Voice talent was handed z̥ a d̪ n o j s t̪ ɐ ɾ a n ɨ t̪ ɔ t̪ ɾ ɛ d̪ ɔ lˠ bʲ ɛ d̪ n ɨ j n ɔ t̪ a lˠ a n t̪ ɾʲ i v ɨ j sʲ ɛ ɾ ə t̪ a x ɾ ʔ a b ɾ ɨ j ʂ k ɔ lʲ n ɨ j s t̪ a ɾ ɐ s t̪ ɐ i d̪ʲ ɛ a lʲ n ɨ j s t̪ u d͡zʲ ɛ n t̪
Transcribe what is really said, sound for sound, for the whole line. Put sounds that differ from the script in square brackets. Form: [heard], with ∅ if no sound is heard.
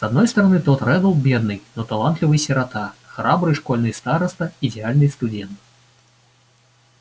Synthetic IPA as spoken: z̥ a d̪ n [ɔ] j s t̪ ɐ ɾ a n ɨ t̪ ɔ t̪ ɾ ɛ d̪ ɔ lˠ bʲ ɛ d̪ n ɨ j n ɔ t̪ a lˠ a n t̪ [lʲ] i v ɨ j sʲ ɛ ɾ [a] t̪ a x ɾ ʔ a b ɾ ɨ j ʂ k ɔ lʲ n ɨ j s t̪ a ɾ ɐ s t̪ ɐ i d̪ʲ ɛ a lʲ n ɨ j s t̪ u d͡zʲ ɛ n t̪